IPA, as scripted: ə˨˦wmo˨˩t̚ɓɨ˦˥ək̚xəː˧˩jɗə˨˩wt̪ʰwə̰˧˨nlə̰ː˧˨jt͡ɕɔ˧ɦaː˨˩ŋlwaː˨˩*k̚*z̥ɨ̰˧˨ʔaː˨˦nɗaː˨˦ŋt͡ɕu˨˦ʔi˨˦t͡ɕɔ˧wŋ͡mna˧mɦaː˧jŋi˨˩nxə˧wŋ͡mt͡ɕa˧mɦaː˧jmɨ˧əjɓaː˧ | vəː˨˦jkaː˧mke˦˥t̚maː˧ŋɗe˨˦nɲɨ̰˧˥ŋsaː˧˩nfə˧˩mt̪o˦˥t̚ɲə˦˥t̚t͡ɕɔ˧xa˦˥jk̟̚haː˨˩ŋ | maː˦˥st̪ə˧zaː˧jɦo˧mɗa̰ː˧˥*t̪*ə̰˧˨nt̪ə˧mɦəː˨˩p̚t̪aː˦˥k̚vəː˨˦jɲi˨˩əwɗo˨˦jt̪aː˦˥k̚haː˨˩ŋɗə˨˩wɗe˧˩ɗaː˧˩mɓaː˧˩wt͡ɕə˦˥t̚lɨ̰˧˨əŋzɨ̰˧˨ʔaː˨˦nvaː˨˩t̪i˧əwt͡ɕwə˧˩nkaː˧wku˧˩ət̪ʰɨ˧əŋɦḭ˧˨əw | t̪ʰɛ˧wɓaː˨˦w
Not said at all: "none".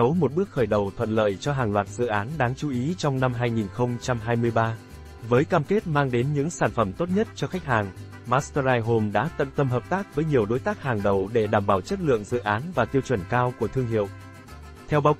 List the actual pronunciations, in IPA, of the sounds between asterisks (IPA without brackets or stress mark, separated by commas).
t̚, t̪